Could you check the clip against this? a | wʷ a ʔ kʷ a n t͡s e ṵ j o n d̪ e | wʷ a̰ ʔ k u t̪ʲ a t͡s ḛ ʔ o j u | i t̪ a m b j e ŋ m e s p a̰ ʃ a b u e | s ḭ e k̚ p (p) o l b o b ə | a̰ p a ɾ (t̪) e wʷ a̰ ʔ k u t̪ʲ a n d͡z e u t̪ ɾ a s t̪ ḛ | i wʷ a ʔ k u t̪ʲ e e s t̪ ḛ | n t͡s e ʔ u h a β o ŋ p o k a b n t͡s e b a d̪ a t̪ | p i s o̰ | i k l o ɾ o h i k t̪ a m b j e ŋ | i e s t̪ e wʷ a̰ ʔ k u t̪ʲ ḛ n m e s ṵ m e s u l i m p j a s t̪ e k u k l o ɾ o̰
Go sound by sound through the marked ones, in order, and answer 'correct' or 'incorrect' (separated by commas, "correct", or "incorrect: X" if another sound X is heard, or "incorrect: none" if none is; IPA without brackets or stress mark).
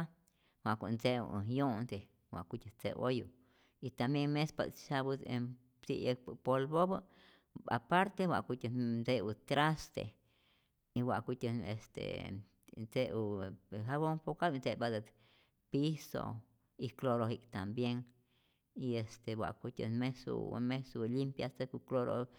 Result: correct, correct